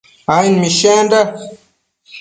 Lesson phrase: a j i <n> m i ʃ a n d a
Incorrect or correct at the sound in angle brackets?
correct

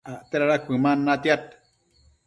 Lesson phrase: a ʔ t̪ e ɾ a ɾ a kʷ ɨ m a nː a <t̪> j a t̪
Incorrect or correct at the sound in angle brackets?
correct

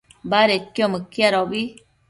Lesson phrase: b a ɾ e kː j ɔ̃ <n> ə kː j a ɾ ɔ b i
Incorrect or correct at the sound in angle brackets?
incorrect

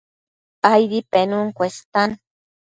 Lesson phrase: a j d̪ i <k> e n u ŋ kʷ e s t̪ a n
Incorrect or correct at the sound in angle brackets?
incorrect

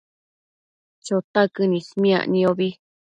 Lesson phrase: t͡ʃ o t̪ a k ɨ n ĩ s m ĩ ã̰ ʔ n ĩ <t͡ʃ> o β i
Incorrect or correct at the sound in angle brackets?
incorrect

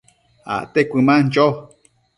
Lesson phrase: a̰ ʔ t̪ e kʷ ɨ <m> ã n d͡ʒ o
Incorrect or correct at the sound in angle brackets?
correct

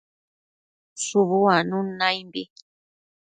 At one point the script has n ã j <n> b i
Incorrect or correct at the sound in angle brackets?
incorrect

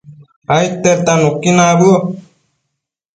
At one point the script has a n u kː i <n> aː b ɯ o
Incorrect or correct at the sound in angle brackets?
correct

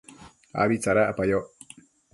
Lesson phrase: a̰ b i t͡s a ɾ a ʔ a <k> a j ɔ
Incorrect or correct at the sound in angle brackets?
incorrect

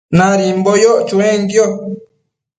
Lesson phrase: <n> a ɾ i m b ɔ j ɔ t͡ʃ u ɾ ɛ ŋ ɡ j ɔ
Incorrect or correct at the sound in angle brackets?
correct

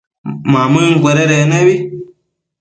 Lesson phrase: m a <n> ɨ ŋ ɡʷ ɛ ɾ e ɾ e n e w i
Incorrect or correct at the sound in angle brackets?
incorrect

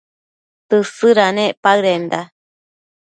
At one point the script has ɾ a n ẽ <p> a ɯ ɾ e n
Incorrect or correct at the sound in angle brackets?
correct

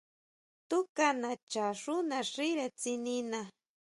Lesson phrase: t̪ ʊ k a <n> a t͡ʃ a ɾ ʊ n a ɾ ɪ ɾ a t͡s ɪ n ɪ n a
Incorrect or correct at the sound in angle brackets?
correct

